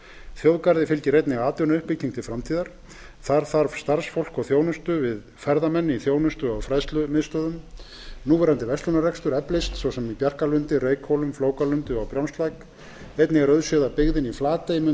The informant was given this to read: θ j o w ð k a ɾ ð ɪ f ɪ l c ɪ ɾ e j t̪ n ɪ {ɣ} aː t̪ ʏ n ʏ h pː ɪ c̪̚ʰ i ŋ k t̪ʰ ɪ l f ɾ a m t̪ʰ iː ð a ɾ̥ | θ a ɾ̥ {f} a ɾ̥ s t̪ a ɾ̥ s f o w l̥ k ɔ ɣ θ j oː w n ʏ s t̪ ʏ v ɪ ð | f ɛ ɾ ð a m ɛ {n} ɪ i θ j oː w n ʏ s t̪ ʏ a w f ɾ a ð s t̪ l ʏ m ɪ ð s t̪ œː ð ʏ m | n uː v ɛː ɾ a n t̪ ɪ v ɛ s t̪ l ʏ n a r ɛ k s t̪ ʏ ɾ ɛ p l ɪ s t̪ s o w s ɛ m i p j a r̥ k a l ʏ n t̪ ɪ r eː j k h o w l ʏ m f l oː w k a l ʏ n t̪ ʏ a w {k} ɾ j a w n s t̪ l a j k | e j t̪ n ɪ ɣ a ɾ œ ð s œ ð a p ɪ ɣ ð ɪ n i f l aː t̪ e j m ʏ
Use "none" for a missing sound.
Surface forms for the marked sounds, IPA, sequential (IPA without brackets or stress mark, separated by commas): ɣ, θ, nː, p